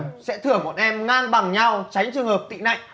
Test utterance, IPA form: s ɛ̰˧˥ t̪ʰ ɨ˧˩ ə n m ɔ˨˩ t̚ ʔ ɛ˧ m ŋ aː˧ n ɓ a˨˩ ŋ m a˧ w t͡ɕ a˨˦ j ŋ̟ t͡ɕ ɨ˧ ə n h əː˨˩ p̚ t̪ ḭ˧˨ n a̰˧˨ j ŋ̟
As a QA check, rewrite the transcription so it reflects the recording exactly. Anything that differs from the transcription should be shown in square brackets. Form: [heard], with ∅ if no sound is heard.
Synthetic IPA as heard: s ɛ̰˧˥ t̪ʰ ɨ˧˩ ə [ŋ] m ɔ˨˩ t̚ ʔ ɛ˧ m ŋ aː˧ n ɓ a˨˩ ŋ [ɲ] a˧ w t͡ɕ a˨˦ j ŋ̟ t͡ɕ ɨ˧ ə [ŋ] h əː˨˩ p̚ t̪ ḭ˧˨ n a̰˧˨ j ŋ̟

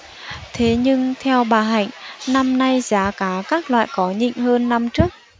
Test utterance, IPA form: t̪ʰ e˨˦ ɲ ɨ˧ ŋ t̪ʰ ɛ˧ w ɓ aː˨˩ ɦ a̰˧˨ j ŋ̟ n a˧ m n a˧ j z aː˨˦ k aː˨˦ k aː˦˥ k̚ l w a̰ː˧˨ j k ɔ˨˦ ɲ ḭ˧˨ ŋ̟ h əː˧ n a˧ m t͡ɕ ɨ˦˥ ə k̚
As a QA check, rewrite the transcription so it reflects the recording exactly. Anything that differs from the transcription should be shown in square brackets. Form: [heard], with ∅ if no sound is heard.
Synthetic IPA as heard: t̪ʰ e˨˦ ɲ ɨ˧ ŋ t̪ʰ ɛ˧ w ɓ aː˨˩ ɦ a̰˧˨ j ŋ̟ n a˧ m n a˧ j z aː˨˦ k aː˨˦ k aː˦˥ k̚ l w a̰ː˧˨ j k ɔ˨˦ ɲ ḭ˧˨ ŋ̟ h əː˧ [nː] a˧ m t͡ɕ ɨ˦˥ ə k̚

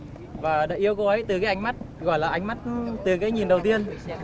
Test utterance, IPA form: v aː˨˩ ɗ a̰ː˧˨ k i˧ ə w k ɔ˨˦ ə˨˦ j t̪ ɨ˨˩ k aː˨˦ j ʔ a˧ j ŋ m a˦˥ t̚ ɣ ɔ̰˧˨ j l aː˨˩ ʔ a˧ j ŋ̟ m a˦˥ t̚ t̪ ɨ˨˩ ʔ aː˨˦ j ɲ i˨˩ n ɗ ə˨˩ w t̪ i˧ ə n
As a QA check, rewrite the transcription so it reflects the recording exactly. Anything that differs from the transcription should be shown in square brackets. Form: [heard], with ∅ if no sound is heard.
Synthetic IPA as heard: v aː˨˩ ɗ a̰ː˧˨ [ʔ] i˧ ə w k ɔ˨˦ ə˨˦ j t̪ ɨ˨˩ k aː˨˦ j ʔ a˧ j ŋ m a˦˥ t̚ ɣ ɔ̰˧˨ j l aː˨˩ ʔ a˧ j ŋ̟ m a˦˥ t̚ t̪ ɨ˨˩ [k] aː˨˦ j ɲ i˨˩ n ɗ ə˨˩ w t̪ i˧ ə n

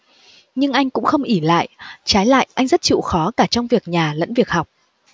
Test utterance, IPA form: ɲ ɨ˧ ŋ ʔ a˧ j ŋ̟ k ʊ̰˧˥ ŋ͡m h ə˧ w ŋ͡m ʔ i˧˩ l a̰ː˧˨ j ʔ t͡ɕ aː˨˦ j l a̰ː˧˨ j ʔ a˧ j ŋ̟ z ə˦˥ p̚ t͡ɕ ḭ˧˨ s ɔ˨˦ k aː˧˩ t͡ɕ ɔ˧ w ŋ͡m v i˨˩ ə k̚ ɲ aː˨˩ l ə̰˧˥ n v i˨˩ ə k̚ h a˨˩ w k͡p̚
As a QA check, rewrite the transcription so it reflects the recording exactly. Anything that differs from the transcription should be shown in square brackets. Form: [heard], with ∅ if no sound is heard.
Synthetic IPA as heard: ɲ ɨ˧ ŋ ʔ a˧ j ŋ̟ k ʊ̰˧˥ ŋ͡m [x] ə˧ w ŋ͡m ʔ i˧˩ l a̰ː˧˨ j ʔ t͡ɕ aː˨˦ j l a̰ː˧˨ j ʔ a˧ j ŋ̟ z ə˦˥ [t̚] t͡ɕ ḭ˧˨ [x] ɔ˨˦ k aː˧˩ t͡ɕ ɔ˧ w ŋ͡m v i˨˩ ə k̚ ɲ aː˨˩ l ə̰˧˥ n v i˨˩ ə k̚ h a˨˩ w k͡p̚

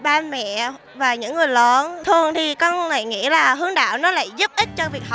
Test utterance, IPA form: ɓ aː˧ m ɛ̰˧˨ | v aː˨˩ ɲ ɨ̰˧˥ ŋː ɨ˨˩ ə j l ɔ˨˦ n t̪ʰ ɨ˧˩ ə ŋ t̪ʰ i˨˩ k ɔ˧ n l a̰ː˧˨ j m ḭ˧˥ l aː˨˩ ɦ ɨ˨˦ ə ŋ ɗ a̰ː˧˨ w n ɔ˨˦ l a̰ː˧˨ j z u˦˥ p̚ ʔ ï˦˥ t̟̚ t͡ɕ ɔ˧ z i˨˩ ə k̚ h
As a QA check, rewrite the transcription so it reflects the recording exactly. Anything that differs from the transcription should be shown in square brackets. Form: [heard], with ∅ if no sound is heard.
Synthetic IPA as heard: ɓ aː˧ m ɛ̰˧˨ | v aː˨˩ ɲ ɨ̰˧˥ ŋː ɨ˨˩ ə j l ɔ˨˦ n t̪ʰ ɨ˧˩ ə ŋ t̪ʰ i˨˩ k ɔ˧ n l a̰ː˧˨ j [ŋ] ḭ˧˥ l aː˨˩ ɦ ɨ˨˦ ə ŋ ɗ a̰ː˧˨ w n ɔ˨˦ l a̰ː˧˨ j z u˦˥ p̚ ʔ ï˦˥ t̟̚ t͡ɕ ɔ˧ [v] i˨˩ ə k̚ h

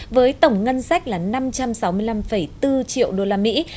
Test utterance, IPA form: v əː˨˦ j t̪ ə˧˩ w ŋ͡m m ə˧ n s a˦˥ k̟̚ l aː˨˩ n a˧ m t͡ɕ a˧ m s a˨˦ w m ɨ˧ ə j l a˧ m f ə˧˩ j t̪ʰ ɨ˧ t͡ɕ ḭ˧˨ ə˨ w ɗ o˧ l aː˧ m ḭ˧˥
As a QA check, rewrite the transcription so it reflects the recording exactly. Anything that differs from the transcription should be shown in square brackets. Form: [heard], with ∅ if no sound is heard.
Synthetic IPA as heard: v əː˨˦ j t̪ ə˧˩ w ŋ͡m [ŋ] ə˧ n s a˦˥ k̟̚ l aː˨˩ n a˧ m t͡ɕ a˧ m s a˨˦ w m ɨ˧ ə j l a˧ m f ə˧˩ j [t̪] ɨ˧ t͡ɕ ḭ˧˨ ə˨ w ɗ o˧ l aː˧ m ḭ˧˥

